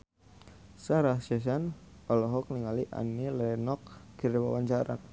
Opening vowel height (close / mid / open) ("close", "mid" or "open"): open